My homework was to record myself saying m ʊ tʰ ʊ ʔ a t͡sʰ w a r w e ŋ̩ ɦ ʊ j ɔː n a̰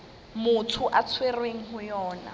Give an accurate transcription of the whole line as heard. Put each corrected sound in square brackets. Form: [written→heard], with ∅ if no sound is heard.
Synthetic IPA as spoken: m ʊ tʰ ʊ ʔ a t͡sʰ w [a→e] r w e ŋ̩ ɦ ʊ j ɔː n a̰